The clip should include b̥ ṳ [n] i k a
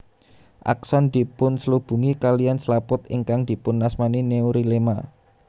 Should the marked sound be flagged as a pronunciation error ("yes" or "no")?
yes